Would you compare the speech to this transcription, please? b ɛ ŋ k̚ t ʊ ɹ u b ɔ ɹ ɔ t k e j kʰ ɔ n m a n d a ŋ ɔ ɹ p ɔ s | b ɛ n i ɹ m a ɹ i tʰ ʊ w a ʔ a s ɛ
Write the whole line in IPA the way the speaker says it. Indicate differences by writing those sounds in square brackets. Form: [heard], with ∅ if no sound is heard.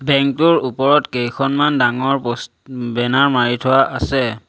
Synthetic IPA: b ɛ ŋ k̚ t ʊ ɹ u [p] ɔ ɹ ɔ t k e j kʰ ɔ n m a n d a ŋ ɔ ɹ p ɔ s | b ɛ n [a] ɹ m a ɹ i tʰ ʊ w a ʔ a s ɛ